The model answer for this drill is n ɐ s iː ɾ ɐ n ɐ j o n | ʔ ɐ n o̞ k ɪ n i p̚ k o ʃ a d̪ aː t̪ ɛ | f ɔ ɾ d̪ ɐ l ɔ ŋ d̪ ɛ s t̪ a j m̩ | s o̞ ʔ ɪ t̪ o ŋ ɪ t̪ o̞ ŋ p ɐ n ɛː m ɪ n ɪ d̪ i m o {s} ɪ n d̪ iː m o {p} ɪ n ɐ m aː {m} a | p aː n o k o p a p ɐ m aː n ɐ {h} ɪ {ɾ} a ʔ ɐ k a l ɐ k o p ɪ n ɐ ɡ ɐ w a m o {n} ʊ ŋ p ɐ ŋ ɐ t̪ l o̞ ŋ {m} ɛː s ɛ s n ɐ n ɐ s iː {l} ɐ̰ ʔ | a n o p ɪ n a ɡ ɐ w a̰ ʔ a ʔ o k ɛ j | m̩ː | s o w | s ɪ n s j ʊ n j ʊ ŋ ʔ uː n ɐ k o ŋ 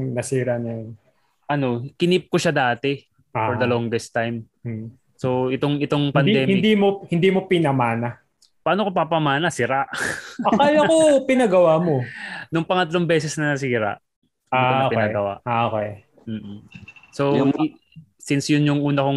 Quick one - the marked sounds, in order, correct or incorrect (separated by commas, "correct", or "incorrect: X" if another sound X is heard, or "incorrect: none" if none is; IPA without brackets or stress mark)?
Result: incorrect: h, correct, incorrect: n, incorrect: s, correct, correct, incorrect: b, incorrect: ɾ